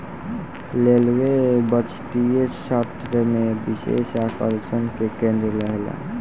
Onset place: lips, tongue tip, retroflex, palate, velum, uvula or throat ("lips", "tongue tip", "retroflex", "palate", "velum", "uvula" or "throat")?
tongue tip